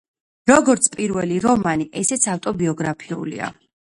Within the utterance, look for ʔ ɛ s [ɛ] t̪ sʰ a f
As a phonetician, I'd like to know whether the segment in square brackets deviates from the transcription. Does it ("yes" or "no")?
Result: no